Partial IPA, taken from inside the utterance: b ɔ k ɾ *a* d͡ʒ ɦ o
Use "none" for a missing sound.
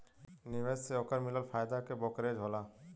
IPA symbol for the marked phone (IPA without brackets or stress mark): e